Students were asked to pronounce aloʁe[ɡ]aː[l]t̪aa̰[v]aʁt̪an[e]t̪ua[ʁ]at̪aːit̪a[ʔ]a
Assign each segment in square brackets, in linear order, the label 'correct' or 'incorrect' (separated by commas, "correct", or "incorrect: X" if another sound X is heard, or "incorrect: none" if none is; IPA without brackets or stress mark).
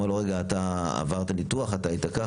correct, incorrect: none, correct, incorrect: i, incorrect: χ, incorrect: k